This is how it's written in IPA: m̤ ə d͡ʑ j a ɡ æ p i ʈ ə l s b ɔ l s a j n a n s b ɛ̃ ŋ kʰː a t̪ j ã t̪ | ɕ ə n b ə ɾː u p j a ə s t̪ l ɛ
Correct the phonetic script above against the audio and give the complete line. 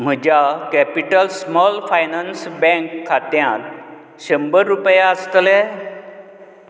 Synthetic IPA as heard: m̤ ə d͡ʑ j a k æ p i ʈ ə l s m ɔ l f a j n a n s b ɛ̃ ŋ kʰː a t̪ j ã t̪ | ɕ ə m b ə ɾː u p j a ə s t̪ l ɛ